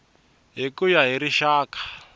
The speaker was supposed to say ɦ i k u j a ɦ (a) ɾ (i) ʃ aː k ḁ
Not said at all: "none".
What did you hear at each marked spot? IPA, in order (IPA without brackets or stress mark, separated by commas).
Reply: i, i